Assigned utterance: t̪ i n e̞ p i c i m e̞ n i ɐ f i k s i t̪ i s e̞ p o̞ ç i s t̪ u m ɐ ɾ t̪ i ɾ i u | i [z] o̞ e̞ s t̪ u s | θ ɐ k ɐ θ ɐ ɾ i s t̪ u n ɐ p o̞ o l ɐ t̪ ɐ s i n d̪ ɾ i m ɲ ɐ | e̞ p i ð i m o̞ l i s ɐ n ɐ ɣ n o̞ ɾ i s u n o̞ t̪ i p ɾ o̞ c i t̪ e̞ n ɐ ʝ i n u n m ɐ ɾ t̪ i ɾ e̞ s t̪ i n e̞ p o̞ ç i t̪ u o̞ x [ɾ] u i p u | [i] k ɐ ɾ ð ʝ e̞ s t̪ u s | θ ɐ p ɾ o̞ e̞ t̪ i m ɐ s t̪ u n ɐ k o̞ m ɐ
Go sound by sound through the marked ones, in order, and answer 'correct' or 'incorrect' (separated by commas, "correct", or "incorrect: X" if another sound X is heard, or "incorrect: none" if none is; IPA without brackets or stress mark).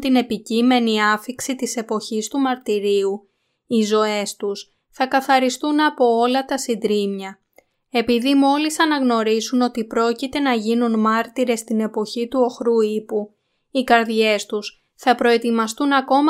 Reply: correct, correct, correct